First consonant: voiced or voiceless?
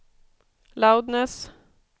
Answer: voiced